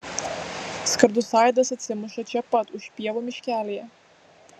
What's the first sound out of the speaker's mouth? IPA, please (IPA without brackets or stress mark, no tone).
s